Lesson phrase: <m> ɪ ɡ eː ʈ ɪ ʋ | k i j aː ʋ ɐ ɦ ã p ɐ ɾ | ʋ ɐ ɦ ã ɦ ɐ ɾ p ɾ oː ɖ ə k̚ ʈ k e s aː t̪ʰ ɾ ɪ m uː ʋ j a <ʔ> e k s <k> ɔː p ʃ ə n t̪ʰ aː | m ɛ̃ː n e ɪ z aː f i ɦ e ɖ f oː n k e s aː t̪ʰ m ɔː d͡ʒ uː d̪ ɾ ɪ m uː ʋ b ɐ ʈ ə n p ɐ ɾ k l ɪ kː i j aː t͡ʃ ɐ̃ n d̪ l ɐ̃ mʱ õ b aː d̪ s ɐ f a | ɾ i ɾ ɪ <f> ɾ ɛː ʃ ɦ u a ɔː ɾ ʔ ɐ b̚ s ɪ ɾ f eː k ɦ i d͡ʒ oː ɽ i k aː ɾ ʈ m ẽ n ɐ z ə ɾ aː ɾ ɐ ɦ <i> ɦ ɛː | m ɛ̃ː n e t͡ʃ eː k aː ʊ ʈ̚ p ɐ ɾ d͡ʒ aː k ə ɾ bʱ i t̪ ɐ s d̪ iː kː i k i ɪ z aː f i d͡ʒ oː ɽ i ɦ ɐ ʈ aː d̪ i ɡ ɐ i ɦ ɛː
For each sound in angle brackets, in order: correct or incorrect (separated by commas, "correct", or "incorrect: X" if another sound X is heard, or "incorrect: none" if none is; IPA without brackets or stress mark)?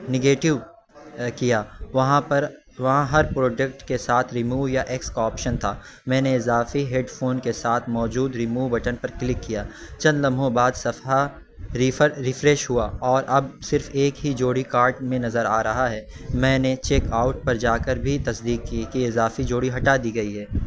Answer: incorrect: n, correct, correct, correct, incorrect: a